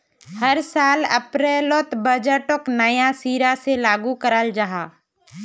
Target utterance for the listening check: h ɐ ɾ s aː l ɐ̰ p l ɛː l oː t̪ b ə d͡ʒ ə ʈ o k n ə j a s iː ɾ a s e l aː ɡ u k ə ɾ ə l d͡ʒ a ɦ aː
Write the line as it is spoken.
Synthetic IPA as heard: h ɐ ɾ s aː l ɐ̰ p ɾ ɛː l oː t̪ b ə d͡ʒ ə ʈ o k n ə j a s iː ɾ a s e l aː ɡ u k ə ɾ ə l d͡ʒ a ɦ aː